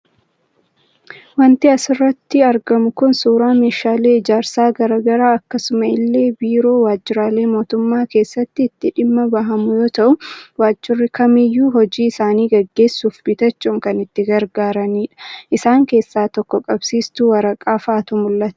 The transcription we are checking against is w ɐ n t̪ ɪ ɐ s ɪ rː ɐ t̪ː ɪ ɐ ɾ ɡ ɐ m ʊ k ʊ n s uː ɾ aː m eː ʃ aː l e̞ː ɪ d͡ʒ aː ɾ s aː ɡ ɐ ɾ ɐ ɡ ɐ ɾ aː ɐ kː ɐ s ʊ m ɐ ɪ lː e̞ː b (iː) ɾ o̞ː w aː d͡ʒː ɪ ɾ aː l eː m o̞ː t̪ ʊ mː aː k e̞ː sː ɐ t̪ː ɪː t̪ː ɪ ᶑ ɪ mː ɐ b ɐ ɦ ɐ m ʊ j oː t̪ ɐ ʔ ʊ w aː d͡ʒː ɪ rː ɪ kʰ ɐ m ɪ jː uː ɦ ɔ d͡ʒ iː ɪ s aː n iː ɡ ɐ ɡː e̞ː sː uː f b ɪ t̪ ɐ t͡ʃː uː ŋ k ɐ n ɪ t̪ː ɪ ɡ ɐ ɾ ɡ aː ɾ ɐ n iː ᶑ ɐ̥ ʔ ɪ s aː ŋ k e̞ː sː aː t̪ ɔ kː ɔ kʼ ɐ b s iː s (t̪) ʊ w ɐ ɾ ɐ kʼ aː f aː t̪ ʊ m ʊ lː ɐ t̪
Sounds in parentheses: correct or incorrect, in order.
correct, correct

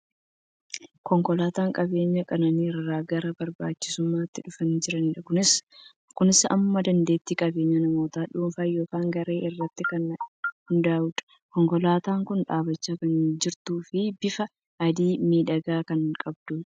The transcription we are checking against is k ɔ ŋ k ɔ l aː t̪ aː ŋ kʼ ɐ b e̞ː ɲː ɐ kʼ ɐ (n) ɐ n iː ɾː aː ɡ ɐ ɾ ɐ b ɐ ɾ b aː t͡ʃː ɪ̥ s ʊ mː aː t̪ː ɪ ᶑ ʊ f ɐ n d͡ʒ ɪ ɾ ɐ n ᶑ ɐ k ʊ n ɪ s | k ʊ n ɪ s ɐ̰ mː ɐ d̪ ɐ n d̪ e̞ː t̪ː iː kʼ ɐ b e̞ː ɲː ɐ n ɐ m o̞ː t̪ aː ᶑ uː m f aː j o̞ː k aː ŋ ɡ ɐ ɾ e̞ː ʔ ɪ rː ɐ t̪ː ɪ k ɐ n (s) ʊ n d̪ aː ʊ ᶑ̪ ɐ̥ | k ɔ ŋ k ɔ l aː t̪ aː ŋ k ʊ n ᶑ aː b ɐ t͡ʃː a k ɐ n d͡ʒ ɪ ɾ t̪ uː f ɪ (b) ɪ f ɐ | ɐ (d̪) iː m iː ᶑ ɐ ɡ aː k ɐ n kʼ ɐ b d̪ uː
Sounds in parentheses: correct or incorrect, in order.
correct, incorrect, correct, correct

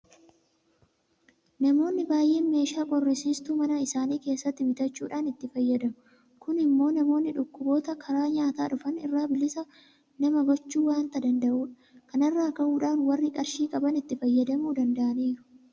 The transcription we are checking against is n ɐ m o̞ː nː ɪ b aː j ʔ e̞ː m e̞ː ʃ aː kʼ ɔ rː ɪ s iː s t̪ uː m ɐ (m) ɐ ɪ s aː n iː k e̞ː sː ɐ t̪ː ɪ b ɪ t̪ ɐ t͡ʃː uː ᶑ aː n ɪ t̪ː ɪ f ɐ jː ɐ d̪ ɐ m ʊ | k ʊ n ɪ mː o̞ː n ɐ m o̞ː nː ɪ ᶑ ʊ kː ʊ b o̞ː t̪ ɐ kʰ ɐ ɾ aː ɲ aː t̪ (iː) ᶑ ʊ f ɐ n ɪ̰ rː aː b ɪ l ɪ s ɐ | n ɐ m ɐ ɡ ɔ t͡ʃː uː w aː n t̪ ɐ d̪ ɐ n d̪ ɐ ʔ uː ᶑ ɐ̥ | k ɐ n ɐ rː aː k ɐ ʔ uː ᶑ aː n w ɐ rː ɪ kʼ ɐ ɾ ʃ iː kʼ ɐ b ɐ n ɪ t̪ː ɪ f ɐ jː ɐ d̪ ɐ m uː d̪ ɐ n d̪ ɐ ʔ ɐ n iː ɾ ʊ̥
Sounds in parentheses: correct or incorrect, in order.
incorrect, incorrect

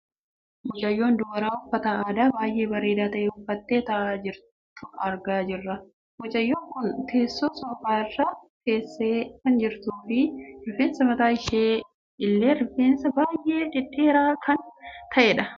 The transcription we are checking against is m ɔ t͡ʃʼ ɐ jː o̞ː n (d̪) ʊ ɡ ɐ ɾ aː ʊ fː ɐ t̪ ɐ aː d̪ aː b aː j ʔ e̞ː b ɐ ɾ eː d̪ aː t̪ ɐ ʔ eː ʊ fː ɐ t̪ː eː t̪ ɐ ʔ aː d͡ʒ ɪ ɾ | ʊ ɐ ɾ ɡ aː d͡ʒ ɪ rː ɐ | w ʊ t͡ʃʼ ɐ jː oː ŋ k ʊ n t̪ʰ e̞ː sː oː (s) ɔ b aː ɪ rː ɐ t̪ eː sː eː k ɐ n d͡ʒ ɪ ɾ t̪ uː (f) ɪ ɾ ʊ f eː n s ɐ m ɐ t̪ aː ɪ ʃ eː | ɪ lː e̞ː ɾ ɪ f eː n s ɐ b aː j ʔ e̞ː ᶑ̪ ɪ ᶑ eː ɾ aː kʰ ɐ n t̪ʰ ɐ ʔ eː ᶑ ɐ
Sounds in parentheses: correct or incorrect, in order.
correct, correct, correct

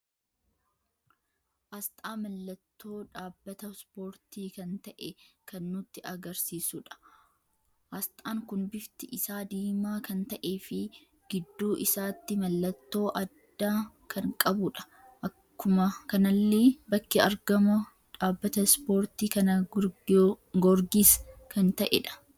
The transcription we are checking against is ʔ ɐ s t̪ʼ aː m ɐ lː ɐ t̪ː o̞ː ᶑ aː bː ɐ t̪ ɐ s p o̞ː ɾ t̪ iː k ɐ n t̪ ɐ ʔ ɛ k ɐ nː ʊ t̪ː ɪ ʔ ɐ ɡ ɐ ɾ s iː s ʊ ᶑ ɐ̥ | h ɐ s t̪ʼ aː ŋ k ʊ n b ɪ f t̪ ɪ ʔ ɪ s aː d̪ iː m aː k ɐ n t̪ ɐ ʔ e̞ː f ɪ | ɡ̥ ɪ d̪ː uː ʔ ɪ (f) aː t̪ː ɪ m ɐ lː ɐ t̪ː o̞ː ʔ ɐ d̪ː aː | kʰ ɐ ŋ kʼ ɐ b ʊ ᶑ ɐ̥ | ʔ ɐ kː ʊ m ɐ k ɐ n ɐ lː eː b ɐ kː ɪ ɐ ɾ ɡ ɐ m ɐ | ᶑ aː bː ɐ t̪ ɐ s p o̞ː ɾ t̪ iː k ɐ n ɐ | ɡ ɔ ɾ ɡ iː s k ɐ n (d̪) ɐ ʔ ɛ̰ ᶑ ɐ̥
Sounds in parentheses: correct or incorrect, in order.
incorrect, incorrect

